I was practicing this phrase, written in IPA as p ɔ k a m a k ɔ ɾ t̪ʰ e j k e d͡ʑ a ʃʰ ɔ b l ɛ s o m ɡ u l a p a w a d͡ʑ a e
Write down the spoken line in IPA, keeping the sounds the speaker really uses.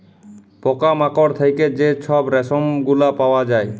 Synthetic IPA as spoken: p ɔ k a m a k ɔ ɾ t̪ʰ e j k e d͡ʑ e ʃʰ ɔ b ɾ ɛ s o m ɡ u l a p a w a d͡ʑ a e